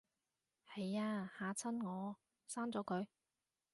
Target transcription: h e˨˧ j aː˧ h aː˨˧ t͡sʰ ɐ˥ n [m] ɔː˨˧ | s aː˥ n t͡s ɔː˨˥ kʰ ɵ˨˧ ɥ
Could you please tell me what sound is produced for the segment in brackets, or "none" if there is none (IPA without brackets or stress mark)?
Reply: ŋ